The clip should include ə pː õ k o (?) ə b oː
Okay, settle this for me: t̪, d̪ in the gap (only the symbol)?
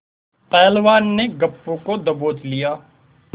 d̪